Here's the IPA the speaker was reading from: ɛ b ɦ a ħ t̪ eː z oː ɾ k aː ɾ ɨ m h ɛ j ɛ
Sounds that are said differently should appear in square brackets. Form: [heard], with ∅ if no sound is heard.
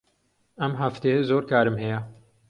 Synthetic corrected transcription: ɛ [m] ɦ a [f] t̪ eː z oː ɾ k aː ɾ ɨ m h ɛ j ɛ

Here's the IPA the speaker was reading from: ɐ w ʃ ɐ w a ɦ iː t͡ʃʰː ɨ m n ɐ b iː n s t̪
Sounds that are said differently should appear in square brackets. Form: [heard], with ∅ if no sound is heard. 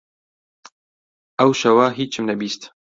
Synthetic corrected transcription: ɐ w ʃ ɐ w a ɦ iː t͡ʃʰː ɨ m n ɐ b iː [∅] s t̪

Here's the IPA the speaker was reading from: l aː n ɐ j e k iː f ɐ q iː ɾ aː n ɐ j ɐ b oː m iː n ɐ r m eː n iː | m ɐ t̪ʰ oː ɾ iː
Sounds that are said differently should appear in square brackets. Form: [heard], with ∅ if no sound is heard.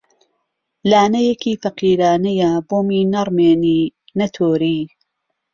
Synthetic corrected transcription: l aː n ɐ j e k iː f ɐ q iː ɾ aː n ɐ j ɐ b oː m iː n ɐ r m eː n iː | [n] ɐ t̪ʰ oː ɾ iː

